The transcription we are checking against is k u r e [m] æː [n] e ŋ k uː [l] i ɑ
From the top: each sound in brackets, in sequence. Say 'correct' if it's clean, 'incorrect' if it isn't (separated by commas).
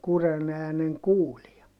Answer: incorrect, correct, correct